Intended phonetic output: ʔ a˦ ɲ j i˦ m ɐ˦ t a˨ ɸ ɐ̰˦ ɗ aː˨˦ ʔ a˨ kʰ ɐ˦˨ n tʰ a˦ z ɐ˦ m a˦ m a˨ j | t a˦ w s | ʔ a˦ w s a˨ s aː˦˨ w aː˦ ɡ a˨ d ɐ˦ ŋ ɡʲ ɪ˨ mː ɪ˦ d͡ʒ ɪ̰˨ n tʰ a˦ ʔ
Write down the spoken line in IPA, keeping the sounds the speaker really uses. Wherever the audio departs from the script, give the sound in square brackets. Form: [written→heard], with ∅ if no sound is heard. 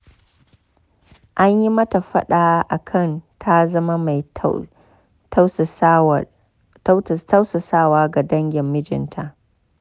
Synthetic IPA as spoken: ʔ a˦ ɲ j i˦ m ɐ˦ t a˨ ɸ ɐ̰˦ ɗ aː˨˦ ʔ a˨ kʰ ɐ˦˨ n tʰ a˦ z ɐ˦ m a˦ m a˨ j | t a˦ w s | [ʔ→t] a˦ w s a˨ s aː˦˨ w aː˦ ɡ a˨ d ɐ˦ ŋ ɡʲ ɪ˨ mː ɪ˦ d͡ʒ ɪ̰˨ n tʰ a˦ ʔ